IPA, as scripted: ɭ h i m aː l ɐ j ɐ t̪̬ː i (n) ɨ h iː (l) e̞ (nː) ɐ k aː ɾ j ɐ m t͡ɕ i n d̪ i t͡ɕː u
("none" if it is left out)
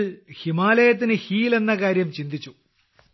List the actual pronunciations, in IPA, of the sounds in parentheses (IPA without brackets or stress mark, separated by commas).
n, l, nː